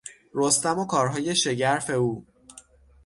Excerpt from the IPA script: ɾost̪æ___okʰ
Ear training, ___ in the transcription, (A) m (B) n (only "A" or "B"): A